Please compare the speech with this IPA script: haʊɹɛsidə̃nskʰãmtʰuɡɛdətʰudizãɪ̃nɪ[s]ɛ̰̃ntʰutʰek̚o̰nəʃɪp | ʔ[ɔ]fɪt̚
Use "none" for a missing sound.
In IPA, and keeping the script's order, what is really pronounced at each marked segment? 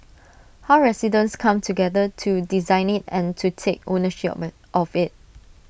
t, ɔ

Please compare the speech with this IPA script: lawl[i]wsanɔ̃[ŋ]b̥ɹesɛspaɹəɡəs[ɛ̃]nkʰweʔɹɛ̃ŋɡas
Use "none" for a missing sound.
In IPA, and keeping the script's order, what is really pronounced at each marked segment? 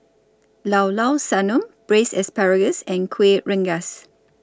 a, m, ɛ̃

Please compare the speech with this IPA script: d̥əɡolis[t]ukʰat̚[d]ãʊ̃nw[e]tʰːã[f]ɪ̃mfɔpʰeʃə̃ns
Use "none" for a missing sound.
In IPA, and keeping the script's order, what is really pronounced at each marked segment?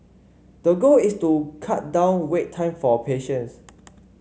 t, d, e, none

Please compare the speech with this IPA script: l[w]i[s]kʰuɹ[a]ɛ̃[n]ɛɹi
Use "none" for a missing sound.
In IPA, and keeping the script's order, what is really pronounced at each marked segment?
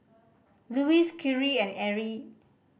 u, s, i, n

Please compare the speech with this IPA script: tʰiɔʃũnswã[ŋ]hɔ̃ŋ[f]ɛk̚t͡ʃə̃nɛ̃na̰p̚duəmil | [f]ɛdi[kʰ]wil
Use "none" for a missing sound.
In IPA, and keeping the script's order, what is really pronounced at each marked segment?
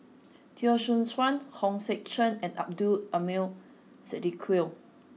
n, s, s, kʰ

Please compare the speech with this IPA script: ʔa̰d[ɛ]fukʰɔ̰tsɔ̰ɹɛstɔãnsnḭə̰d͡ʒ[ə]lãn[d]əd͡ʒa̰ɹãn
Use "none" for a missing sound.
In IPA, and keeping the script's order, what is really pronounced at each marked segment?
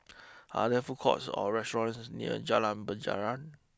ɛ, a, b

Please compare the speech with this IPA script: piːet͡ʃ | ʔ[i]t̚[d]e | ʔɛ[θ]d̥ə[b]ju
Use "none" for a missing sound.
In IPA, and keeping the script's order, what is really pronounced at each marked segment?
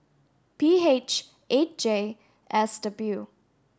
e, d͡ʒ, s, b

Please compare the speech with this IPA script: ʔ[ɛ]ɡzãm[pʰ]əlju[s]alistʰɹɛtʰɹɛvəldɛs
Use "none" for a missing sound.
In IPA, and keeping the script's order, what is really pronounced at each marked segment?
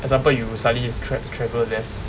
ɛ, p, s

